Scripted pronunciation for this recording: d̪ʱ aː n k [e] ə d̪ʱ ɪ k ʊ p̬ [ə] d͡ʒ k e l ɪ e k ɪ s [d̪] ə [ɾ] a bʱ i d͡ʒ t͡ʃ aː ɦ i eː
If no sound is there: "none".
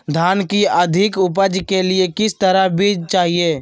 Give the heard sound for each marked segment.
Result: i, ə, t̪, ɾ

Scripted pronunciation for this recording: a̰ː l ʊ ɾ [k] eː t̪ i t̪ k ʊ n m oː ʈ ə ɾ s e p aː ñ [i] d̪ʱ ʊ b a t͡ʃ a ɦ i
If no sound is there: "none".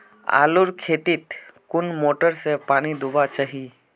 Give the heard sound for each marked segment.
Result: kʰ, i

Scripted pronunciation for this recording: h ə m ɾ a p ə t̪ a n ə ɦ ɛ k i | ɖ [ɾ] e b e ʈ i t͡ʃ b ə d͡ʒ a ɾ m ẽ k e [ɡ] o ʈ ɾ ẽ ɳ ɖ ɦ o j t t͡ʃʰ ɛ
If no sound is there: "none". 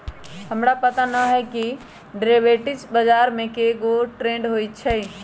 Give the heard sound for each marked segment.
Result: ɾ, ɡ

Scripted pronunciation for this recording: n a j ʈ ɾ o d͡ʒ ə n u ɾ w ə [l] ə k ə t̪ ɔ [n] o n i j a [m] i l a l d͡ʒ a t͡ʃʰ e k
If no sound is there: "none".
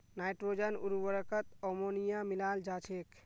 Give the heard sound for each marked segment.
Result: ɾ, m, m

